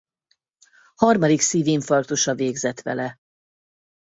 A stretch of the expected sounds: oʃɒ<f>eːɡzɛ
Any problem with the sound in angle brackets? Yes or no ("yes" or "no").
yes